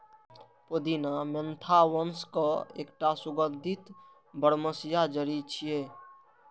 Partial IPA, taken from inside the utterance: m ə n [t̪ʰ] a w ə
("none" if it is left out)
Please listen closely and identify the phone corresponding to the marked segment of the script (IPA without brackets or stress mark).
t̪ʰ